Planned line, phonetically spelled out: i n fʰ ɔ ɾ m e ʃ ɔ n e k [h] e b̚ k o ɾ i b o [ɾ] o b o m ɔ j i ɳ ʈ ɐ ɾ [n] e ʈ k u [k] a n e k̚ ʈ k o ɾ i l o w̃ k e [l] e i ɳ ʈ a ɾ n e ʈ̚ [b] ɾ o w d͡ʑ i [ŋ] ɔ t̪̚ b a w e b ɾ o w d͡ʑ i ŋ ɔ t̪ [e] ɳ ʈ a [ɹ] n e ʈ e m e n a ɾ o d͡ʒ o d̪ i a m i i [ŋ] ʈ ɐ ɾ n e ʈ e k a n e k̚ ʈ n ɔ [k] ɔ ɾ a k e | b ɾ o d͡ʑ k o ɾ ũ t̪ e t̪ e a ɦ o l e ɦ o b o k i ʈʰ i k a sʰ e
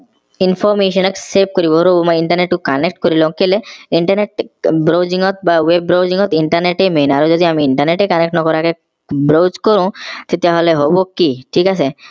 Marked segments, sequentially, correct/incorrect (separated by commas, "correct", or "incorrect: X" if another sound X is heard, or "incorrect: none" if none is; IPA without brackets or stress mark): incorrect: s, correct, correct, correct, correct, correct, correct, incorrect: i, incorrect: ɾ, incorrect: ɳ, correct